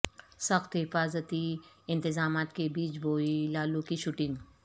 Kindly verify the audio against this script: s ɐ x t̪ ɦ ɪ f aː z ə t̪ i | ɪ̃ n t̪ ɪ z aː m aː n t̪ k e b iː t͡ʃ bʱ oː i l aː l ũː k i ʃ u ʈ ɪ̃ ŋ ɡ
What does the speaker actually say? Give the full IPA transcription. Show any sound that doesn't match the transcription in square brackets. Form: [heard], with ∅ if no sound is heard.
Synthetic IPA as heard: s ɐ x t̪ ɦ ɪ f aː z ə t̪ i | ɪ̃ n t̪ ɪ z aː m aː [∅] t̪ k e b iː t͡ʃ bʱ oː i l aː l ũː k i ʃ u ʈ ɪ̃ ŋ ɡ